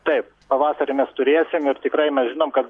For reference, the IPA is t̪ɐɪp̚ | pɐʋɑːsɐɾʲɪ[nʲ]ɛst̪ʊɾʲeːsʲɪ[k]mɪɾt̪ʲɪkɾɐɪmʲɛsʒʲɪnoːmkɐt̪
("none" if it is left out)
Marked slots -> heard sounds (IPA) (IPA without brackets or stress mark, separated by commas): mʲ, none